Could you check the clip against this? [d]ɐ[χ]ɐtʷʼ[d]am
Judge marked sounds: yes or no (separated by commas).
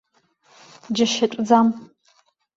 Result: no, no, no